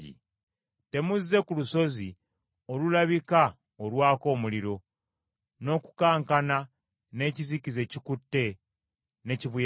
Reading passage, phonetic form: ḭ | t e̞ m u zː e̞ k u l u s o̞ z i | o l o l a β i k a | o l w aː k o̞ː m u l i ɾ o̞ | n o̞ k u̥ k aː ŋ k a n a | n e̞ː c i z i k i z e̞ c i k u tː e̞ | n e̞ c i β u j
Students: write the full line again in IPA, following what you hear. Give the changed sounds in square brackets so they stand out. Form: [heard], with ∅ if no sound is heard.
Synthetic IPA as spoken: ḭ | t e̞ m u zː e̞ k u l u s o̞ z i | o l [u] l a β i k a | o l w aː k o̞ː m u l i ɾ o̞ | n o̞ k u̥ k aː ŋ k a n a | n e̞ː c i z i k i z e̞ c i k u tː e̞ | n e̞ c i β u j